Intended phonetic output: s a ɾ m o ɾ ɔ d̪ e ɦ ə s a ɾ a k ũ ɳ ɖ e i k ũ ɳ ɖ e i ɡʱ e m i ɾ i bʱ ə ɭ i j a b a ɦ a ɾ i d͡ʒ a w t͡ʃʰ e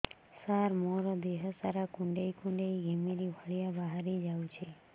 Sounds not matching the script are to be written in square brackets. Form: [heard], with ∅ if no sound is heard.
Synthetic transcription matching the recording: s a ɾ m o ɾ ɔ d̪ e ɦ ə s a ɾ a k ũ ɳ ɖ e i k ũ ɳ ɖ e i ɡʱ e m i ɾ i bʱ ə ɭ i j a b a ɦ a ɾ i d͡ʒ a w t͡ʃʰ e